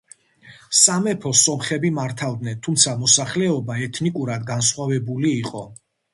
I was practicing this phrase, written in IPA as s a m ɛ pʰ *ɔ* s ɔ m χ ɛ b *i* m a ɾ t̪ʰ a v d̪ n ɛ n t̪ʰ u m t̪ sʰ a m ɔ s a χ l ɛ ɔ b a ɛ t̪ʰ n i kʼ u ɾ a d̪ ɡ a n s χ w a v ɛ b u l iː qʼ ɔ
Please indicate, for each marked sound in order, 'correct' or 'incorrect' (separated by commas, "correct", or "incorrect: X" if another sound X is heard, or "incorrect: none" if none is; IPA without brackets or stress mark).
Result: correct, correct